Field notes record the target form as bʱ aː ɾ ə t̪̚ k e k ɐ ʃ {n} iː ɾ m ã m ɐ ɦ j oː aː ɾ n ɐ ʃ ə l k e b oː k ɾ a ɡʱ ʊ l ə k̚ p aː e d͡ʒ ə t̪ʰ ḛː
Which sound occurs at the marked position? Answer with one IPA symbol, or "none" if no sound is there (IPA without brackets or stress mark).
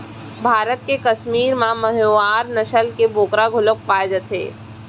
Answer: m